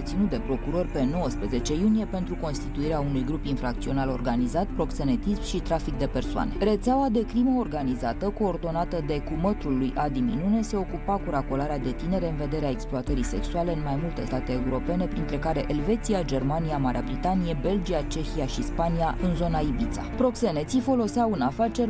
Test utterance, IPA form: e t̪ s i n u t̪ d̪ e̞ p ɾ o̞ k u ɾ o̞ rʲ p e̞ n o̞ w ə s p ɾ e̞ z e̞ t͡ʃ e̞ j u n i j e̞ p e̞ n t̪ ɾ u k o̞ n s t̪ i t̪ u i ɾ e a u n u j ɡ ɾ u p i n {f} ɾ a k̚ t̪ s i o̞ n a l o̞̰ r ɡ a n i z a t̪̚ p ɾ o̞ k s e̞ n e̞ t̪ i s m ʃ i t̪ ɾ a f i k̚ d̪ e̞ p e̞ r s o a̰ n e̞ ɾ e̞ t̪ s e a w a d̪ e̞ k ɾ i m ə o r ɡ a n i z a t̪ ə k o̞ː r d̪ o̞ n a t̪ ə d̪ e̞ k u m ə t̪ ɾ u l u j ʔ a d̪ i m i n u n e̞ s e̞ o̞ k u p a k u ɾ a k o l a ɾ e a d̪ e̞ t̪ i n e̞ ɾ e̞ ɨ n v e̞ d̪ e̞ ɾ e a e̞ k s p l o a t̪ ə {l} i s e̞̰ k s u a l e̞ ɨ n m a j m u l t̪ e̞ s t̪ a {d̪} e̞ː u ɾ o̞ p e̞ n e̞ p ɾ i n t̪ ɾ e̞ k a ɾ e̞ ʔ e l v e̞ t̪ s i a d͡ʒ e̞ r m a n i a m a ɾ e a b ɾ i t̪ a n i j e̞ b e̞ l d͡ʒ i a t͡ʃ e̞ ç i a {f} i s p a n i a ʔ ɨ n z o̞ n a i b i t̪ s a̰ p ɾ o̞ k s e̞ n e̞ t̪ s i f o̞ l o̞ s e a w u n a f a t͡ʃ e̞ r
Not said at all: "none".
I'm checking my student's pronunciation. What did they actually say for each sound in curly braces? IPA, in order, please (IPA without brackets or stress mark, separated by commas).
f, ɾ, t̪, ʃ